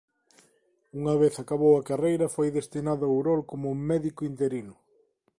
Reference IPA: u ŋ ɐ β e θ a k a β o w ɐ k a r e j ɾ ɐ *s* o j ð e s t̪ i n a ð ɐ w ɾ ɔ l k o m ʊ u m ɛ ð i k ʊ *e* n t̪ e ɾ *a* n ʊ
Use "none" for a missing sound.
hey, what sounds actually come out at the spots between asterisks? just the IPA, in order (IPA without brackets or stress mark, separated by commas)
f, i, i